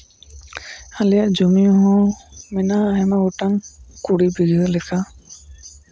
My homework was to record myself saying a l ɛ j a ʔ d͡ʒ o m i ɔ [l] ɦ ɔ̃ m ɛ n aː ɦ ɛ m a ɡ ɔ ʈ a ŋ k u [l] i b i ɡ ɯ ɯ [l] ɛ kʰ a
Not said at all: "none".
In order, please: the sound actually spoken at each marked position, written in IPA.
none, ɽ, l

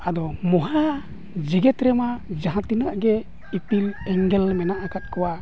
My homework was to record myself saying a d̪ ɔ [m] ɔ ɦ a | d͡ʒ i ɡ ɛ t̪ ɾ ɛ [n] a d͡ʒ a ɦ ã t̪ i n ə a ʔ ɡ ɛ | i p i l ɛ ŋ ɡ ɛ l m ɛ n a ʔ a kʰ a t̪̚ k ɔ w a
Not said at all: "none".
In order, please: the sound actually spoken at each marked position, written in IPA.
m, m

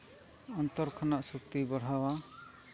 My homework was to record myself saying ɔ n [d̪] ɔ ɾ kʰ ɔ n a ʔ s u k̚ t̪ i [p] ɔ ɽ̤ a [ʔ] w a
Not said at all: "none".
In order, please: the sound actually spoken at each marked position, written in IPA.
t̪, b, none

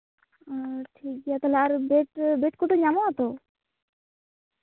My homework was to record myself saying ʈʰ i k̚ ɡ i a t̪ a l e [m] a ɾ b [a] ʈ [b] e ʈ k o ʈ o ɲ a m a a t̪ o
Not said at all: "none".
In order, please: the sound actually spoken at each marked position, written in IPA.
none, e, b

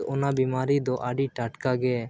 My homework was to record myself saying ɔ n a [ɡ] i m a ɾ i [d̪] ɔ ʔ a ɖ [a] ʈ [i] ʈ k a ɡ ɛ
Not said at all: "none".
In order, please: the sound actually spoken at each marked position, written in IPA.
b, d̪, i, a

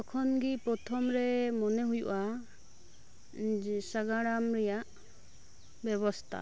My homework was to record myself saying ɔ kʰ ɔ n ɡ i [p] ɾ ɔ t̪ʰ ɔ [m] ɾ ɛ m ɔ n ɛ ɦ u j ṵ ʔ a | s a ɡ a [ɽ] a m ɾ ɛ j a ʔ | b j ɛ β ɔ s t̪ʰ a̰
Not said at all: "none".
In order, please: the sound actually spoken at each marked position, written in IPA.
p, m, ɽ

